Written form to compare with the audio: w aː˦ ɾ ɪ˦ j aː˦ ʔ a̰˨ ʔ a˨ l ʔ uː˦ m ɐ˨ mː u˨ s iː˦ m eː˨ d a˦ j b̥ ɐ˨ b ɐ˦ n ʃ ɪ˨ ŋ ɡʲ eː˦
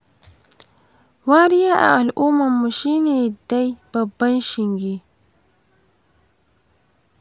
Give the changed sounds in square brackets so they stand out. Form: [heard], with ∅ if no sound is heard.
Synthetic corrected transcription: w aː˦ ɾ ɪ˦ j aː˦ ʔ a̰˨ ʔ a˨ l ʔ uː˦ m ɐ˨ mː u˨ [ʃ] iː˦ [n] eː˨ d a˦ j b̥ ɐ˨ [bː] ɐ˦ n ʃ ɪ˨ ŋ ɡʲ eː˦

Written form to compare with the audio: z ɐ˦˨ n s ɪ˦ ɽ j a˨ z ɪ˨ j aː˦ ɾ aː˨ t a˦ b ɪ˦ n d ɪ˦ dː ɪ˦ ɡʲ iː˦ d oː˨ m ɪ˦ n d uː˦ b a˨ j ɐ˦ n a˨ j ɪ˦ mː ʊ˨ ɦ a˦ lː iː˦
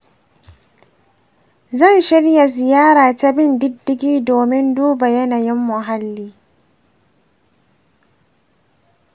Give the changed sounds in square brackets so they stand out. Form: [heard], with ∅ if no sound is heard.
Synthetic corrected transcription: z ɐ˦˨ n [ʃ] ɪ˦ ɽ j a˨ z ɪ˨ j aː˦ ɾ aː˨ t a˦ b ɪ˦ n d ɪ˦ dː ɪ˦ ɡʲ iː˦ d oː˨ m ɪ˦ n d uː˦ b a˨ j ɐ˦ n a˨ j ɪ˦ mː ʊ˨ ɦ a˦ lː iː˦

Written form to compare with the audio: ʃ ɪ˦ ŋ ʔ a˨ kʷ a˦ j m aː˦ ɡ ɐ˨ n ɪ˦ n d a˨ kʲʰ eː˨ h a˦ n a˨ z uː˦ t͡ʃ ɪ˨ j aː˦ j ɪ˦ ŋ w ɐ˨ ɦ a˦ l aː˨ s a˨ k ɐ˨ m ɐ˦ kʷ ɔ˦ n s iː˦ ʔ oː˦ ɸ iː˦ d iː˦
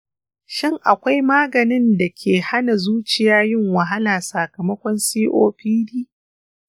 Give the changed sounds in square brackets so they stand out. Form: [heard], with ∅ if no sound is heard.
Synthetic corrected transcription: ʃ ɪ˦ ŋ ʔ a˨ kʷ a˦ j m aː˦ ɡ ɐ˨ n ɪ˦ n d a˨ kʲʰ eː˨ h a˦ n a˨ z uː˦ t͡ʃ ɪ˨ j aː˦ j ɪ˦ ŋ w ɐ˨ ɦ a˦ l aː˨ s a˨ k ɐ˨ m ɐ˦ kʷ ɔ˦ n s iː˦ ʔ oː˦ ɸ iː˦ d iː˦

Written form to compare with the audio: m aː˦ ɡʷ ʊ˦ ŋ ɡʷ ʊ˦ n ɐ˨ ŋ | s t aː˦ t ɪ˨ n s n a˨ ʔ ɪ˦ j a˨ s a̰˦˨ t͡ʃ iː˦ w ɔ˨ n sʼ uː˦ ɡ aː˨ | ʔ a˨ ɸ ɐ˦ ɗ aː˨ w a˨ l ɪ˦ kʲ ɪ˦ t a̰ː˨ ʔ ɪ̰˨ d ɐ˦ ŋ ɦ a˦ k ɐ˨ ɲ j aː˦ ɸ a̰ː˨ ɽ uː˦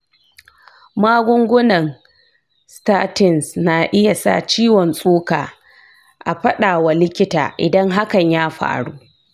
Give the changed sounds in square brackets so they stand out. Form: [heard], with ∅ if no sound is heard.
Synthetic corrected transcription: m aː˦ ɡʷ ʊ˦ ŋ ɡʷ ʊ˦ n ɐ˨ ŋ | s t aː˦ t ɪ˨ n s n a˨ ʔ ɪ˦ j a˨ s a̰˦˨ t͡ʃ iː˦ w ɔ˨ n sʼ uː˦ [k] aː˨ | ʔ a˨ ɸ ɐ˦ ɗ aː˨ w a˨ l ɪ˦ kʲ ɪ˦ t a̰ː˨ ʔ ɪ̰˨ d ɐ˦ ŋ ɦ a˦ k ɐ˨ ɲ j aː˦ ɸ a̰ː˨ ɽ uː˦

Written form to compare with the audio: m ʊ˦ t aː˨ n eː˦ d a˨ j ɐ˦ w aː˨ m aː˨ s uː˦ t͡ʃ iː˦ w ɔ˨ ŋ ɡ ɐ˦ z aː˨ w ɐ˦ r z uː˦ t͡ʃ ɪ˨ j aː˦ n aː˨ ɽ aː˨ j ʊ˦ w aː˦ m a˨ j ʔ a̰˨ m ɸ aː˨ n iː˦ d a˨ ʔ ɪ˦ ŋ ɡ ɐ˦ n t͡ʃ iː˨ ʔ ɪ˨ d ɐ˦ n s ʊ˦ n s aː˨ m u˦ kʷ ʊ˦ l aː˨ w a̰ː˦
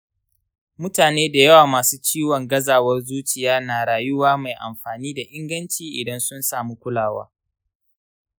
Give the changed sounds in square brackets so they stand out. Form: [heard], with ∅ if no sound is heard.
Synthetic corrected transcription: m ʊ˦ t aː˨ n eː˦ d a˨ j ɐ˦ w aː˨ m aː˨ s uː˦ t͡ʃ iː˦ w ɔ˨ ŋ ɡ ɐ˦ z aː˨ w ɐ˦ r z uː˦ t͡ʃ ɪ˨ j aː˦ n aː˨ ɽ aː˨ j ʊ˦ w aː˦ m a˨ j ʔ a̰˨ m ɸ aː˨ n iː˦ d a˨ ʔ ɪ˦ ŋ ɡ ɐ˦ n t͡ʃ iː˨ ʔ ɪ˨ d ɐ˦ n s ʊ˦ n s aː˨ m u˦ kʷ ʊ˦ l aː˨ w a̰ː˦

